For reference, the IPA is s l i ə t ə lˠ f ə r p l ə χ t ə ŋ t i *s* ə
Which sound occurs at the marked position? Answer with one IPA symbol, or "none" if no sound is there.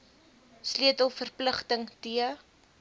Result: none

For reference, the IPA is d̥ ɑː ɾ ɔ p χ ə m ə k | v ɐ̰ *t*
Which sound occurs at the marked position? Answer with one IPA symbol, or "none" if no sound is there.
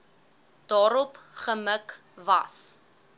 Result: s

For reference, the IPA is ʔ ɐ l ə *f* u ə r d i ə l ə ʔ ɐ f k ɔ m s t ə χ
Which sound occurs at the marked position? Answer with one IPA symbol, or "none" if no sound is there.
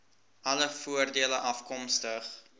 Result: f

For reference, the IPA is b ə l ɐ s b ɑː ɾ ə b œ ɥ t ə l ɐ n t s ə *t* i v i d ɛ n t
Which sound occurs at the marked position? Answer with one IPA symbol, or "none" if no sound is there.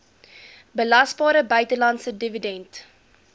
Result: d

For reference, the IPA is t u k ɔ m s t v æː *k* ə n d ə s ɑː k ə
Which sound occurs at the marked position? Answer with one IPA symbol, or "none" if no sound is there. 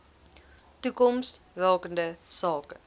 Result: k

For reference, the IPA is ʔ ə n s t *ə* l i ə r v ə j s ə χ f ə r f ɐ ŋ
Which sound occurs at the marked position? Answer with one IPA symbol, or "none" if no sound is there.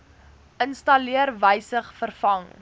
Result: ɐ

